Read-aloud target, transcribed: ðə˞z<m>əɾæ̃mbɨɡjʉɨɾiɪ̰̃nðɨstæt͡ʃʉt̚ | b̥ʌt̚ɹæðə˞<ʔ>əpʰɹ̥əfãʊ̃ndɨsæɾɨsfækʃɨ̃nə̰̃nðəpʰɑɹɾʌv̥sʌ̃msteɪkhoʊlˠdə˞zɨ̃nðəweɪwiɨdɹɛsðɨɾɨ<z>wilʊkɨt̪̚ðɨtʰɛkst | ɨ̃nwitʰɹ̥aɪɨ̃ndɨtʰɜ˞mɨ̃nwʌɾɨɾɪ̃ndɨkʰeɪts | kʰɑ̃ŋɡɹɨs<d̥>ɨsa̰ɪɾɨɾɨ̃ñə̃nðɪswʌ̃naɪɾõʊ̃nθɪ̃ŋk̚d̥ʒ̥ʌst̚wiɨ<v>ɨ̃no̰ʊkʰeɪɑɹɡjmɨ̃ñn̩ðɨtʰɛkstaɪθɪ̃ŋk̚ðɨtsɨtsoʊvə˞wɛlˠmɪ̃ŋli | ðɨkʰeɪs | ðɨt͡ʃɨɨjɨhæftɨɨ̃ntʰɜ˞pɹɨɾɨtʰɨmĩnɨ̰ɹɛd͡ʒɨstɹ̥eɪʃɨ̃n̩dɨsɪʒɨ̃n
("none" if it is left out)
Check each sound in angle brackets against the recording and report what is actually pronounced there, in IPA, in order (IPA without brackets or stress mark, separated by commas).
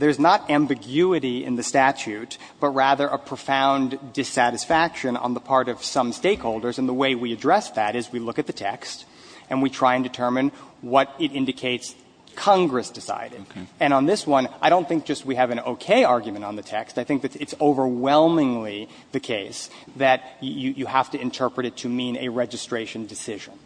n, ʔ, z, d̥, v